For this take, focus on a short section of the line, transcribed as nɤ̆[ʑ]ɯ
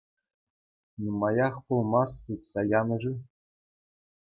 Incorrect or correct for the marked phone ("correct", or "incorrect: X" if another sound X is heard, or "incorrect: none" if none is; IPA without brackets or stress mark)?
incorrect: ʐ